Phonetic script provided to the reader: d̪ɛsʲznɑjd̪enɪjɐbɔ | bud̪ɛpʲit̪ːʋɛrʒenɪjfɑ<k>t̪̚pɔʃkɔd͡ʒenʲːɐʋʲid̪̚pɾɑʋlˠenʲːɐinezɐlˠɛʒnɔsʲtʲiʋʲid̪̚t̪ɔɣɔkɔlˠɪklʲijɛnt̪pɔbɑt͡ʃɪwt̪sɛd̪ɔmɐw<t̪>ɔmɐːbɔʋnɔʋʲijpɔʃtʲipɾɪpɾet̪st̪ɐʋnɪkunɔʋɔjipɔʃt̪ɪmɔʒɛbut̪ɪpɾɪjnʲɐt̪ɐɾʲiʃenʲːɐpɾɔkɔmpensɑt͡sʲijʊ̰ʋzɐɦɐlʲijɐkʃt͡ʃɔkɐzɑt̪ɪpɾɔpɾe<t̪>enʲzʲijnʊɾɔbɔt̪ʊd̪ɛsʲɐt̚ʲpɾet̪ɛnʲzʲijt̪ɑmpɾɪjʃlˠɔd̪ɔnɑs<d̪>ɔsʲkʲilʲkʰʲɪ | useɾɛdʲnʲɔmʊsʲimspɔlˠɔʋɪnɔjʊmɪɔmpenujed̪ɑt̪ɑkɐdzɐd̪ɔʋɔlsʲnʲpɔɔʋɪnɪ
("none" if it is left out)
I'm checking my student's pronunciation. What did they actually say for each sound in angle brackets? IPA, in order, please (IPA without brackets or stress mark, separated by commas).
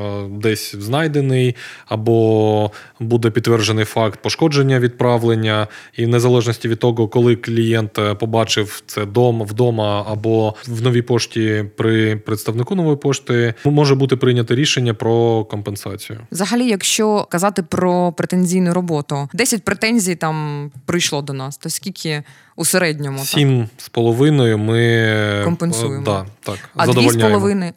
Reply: k, d̪, t̪, t̪